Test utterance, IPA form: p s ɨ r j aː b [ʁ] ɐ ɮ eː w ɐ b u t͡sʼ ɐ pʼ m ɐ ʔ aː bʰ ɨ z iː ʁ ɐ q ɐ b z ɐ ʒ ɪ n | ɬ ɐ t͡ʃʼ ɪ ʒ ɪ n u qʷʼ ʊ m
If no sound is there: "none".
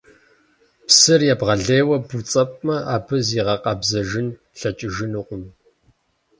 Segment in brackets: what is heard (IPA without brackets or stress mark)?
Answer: ʁ